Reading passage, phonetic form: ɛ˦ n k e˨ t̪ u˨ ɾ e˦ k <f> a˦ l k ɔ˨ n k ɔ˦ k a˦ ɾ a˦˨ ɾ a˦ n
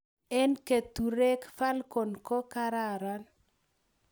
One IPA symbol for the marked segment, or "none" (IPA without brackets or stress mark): f